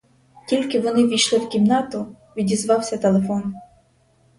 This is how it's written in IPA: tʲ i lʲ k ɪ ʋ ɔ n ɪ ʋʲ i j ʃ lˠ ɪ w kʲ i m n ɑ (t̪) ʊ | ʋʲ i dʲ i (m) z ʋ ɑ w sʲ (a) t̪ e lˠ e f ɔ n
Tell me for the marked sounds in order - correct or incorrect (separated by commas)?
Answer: correct, incorrect, incorrect